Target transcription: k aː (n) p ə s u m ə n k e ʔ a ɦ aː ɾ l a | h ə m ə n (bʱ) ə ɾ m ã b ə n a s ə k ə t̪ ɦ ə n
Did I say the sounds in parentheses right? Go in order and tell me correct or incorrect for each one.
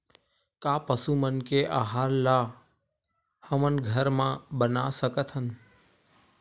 incorrect: none, incorrect: ɡʱ

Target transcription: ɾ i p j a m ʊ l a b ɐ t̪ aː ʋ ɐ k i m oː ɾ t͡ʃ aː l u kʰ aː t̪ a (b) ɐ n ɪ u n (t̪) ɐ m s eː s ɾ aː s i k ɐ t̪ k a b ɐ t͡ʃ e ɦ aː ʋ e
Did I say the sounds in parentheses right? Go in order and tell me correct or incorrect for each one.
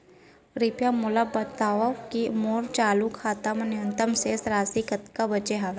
incorrect: m, correct

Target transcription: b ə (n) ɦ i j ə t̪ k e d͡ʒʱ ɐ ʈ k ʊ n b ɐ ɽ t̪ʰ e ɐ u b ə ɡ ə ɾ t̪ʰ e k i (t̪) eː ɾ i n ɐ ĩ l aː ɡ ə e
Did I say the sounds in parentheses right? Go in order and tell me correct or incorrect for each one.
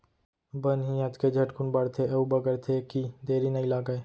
correct, incorrect: d̪

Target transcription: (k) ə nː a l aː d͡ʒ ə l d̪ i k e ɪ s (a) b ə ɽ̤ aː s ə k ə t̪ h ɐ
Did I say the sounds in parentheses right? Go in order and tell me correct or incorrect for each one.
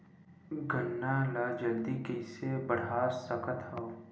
incorrect: ɡ, incorrect: e

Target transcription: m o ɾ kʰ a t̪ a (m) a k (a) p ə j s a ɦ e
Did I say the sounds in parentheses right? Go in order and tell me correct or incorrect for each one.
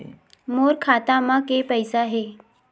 correct, incorrect: e

